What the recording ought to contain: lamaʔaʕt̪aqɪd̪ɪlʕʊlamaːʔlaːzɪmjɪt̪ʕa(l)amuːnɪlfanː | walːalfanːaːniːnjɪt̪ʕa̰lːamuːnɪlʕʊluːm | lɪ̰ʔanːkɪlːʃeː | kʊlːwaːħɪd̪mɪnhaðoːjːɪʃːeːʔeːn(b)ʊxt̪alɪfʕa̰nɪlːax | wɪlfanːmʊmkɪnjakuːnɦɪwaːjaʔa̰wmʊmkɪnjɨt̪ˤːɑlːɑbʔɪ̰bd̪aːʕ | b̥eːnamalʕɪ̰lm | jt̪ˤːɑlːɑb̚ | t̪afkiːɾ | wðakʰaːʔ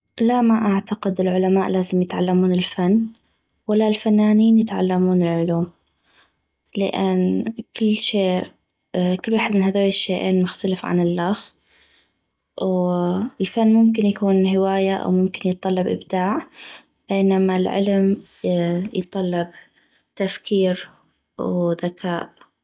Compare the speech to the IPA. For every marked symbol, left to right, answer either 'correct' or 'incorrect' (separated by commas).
incorrect, incorrect